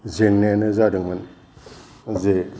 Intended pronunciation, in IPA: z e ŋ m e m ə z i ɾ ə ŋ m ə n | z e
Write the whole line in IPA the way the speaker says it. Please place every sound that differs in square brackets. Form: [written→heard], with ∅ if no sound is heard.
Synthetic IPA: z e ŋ [m→n] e [m→n] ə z [i→a] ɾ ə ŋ m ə n | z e